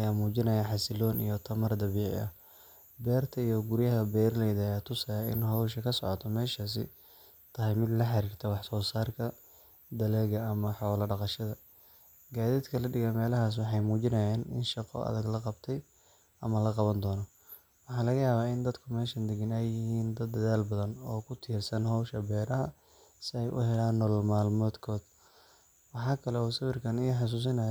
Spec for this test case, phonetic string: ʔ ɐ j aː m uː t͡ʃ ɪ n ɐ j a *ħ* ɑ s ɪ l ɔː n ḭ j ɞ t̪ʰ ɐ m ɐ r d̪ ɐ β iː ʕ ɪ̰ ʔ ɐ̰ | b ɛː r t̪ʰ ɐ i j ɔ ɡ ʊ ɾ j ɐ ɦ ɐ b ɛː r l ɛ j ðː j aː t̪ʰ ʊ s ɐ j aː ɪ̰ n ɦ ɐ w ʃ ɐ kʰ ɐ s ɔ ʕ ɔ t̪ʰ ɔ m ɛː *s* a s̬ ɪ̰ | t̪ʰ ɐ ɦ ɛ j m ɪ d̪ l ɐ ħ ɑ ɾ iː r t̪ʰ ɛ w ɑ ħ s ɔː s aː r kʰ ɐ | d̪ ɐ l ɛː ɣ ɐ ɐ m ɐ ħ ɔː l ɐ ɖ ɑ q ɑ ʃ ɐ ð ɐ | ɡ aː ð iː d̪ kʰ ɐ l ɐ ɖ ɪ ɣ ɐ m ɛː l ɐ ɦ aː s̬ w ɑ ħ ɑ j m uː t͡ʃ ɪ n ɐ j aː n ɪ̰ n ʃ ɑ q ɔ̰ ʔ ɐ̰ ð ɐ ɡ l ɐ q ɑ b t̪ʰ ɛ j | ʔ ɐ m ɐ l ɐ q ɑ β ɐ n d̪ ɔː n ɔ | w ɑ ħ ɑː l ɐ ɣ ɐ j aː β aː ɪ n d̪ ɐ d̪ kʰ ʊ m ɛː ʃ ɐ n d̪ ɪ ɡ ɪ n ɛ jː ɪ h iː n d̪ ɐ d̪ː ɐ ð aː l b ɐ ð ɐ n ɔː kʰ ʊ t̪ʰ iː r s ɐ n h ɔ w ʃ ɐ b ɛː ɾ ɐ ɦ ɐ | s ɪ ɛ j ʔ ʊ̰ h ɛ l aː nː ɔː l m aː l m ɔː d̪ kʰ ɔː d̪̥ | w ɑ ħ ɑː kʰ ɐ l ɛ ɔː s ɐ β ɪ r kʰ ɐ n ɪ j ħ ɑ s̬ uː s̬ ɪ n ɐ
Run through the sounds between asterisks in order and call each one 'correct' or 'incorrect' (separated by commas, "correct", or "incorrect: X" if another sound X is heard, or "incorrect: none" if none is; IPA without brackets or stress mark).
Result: correct, incorrect: ʃ